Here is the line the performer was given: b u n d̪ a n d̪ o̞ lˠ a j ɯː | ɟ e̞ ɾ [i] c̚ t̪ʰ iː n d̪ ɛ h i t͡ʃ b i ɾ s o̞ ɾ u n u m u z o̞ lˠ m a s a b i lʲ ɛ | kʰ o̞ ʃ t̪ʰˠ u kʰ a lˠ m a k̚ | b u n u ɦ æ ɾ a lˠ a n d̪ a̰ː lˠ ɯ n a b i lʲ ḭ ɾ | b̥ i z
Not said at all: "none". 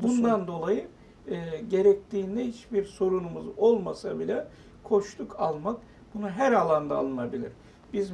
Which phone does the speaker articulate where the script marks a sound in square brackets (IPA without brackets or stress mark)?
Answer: ɛ